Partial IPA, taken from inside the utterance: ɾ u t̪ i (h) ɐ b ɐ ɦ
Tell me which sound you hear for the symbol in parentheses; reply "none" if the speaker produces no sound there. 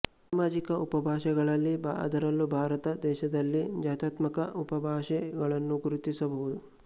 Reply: s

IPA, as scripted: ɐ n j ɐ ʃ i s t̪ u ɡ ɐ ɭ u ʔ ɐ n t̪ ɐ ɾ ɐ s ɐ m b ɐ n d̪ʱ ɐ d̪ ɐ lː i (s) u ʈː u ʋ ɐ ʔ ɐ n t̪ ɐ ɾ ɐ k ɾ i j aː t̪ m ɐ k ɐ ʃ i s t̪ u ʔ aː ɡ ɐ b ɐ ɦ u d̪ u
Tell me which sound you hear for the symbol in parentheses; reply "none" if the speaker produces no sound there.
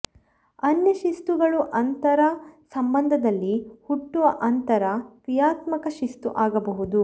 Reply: h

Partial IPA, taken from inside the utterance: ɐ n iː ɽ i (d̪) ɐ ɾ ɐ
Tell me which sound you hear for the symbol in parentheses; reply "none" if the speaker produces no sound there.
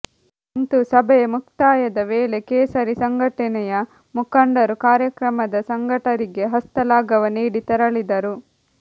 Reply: t̪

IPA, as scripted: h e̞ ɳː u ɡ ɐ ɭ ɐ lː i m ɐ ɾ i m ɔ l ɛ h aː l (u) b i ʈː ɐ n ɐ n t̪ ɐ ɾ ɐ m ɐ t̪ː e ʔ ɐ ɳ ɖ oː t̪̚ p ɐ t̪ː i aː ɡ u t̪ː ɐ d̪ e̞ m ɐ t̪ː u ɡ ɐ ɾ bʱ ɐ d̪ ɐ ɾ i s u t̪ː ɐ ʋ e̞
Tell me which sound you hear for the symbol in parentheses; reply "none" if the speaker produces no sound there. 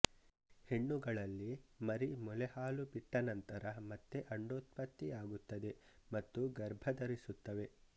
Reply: u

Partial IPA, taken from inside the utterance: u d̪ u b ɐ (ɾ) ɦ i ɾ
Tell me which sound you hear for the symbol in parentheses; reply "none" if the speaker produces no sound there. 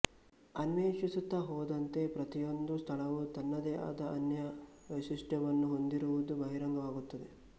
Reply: none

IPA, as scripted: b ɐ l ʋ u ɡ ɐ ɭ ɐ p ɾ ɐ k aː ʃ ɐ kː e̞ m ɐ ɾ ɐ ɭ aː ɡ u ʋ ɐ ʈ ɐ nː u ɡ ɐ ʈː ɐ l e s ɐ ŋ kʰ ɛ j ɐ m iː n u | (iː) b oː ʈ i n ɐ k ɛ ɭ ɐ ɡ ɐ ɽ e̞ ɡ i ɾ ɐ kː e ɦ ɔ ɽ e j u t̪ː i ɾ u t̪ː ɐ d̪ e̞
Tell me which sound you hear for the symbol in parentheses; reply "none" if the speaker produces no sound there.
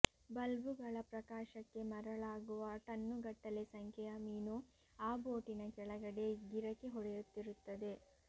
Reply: aː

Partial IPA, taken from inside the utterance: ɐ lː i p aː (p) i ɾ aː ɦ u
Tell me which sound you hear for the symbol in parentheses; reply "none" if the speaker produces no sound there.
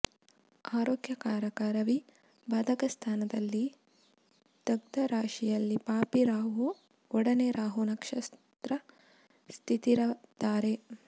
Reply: p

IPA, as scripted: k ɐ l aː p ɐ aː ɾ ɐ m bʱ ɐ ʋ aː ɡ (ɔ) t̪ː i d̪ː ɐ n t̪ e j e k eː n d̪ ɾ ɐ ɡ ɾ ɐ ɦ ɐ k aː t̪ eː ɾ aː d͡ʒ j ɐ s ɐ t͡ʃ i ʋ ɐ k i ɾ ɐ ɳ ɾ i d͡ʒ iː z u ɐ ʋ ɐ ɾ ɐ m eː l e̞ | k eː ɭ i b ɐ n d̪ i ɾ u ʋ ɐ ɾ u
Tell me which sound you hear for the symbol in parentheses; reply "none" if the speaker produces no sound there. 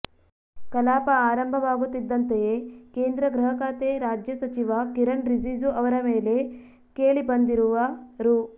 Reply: u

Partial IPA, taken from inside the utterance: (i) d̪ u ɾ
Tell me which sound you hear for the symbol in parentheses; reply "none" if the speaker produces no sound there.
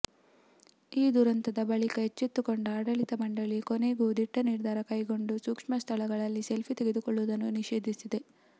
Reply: iː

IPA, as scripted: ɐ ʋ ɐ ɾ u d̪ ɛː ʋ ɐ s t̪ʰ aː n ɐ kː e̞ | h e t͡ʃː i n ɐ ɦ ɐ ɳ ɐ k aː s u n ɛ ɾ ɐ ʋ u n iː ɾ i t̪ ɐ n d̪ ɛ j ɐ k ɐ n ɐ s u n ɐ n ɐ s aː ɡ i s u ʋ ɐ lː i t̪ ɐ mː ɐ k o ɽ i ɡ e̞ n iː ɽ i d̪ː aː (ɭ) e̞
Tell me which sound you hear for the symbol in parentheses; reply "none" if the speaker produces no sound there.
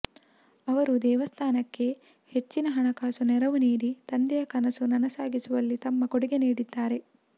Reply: ɾ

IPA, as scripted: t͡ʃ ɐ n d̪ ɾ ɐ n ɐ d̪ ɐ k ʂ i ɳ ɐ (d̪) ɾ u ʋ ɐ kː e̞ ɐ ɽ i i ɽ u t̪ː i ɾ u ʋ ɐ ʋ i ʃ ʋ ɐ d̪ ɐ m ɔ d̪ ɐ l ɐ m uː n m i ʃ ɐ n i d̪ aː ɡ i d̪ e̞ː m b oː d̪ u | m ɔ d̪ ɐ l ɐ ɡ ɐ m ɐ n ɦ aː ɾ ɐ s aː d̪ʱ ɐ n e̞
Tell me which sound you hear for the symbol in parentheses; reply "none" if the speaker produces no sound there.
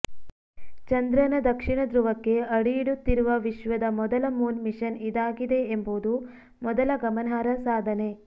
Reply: d̪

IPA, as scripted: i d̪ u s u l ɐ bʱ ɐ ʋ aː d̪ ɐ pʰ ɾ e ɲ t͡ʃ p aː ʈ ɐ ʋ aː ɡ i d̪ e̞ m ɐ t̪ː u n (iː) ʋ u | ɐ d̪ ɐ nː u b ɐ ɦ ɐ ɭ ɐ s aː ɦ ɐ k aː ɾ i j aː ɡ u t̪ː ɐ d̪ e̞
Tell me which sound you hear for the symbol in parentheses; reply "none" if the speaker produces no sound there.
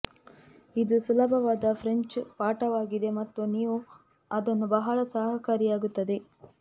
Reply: iː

